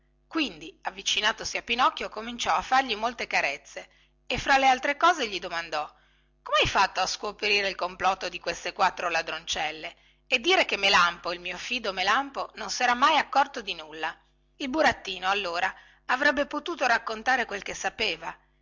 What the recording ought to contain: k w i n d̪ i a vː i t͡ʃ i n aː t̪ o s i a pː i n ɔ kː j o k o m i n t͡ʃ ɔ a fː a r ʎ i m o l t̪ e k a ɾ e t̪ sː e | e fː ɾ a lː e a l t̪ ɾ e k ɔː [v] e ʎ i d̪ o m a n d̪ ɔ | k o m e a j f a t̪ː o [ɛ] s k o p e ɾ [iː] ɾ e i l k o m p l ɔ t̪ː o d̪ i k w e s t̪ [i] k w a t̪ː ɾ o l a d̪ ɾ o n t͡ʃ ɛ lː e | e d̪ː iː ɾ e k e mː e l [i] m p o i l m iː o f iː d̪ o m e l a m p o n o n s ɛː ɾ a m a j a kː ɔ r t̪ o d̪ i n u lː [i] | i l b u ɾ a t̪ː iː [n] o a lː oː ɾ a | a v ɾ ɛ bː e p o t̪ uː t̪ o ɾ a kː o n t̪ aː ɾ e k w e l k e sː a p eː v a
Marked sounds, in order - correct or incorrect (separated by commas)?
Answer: incorrect, incorrect, correct, incorrect, incorrect, incorrect, correct